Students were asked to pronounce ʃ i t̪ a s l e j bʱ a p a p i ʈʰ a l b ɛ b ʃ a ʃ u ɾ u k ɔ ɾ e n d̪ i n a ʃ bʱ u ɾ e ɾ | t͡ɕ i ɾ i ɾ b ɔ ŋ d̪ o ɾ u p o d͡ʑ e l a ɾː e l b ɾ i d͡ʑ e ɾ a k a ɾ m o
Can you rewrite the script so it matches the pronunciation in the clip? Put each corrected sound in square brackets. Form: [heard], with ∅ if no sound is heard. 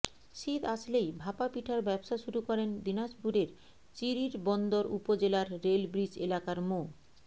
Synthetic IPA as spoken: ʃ i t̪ a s l e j bʱ a p a p i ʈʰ a [ɾ] b ɛ b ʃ a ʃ u ɾ u k ɔ ɾ e n d̪ i n a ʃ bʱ u ɾ e ɾ | t͡ɕ i ɾ i ɾ b ɔ [n] d̪ o ɾ u p o d͡ʑ e l a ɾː e l b ɾ i d͡ʑ e [l] a k a ɾ m o